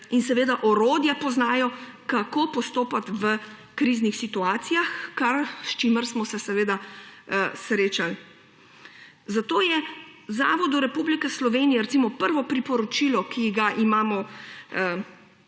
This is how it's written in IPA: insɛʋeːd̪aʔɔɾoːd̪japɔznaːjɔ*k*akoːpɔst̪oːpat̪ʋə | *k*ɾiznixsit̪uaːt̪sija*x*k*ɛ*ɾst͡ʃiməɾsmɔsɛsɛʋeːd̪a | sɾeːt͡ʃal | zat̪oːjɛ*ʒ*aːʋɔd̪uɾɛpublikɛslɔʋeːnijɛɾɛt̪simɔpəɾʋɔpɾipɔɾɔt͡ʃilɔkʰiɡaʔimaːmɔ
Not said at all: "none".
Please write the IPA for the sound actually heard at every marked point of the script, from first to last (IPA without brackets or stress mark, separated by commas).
k, k, x, a, z